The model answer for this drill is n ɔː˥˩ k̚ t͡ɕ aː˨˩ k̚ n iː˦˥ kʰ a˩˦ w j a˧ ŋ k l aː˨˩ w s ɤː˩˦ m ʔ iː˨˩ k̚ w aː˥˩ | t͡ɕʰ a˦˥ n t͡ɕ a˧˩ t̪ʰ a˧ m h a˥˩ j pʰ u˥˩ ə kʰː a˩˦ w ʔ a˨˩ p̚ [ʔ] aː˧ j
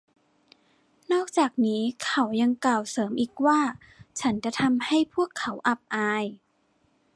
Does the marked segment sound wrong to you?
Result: no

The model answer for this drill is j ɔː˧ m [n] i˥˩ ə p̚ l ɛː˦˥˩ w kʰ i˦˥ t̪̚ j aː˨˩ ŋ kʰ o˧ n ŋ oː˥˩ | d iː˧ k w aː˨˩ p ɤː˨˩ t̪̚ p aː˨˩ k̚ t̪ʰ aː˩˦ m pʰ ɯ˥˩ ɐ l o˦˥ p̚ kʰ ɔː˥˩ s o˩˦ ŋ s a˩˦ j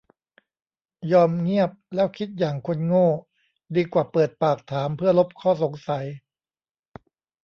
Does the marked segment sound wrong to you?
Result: yes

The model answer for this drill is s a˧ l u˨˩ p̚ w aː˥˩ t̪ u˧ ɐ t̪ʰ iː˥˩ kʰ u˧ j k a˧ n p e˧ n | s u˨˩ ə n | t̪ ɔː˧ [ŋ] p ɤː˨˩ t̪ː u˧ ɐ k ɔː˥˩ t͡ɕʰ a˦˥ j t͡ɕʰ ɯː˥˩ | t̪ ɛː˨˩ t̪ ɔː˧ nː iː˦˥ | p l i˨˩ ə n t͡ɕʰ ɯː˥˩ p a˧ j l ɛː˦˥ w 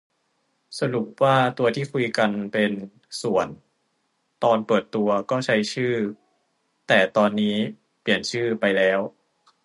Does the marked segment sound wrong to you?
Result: yes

